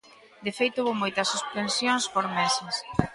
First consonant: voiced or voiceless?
voiced